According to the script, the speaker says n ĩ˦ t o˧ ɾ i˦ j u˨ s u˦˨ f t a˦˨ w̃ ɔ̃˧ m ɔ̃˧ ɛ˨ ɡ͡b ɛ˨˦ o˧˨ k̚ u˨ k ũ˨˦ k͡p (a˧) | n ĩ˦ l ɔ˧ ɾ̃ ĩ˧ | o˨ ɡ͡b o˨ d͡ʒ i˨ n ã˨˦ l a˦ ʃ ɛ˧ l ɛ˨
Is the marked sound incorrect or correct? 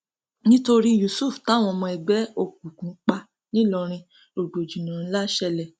correct